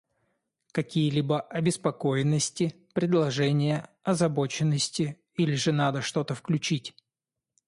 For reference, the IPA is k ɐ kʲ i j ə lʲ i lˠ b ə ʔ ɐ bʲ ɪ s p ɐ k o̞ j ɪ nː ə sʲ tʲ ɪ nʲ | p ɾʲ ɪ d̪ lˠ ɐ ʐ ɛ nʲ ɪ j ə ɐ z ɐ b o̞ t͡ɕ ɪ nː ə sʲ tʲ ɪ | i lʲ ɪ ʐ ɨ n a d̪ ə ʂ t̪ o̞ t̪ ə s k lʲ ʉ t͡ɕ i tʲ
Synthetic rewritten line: k ɐ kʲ i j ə lʲ i b ə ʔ ɐ bʲ ɪ s p ɐ k o̞ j ɪ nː ə sʲ tʲ ɪ | p ɾʲ ɪ d̪ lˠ ɐ ʐ ɛ nʲ ɪ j ə ɐ z ɐ b o̞ t͡ɕ ɪ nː ə sʲ tʲ ɪ | i lʲ ɪ ʐ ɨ n a d̪ ə ʂ t̪ o̞ t̪ ə f k lʲ ʉ t͡ɕ i tʲ